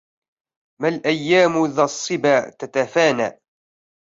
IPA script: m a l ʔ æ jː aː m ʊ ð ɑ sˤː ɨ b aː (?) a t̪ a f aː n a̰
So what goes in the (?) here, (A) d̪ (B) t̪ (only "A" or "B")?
B